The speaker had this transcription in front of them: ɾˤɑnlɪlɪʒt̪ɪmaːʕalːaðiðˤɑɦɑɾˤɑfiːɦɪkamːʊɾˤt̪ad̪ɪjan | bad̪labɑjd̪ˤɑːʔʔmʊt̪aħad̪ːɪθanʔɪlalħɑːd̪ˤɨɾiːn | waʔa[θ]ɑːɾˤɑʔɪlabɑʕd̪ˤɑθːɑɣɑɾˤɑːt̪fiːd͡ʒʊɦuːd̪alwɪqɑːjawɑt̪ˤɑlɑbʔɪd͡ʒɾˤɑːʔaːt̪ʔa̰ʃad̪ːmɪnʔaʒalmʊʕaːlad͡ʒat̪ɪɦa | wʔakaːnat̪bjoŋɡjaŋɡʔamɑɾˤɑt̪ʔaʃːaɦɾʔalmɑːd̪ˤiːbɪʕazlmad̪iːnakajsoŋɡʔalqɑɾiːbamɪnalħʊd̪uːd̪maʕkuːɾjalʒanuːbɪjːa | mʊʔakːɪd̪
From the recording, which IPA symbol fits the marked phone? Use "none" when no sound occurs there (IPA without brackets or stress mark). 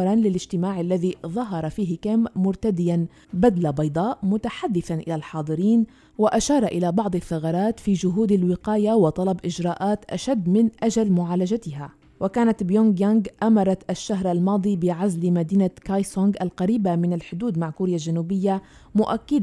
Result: ʃ